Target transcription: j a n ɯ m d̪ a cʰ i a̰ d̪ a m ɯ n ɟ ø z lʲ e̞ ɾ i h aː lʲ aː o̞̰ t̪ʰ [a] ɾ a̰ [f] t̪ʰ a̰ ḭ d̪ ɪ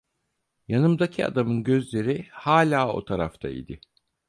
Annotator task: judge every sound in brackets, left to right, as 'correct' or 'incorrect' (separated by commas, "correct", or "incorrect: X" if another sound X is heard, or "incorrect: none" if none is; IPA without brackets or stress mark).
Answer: correct, correct